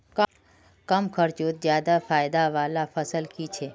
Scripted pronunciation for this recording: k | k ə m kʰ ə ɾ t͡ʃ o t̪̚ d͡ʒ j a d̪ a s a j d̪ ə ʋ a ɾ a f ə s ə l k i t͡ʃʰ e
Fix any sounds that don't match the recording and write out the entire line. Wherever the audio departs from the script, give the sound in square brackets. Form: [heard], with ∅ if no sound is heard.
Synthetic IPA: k | k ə m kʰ ə ɾ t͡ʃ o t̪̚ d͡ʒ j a d̪ a [f] a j d̪ [a] ʋ a [l] a f ə s ə l k i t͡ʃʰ e